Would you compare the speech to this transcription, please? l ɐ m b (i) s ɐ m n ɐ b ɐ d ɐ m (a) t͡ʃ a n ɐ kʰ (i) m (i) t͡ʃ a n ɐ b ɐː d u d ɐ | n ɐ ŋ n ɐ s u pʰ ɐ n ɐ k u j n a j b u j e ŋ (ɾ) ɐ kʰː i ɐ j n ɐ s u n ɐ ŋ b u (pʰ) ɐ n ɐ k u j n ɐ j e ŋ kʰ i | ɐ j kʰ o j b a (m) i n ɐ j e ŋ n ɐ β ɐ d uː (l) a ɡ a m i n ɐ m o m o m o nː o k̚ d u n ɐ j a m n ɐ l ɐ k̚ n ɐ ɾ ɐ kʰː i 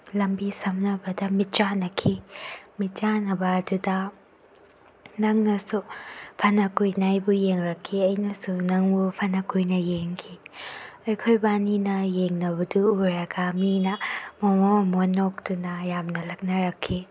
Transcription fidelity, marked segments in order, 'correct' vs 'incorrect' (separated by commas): correct, incorrect, correct, correct, correct, correct, incorrect, incorrect